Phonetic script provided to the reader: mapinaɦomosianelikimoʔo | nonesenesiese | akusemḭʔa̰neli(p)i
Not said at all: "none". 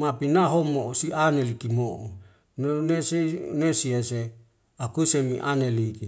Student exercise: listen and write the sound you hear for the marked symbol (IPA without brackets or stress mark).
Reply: k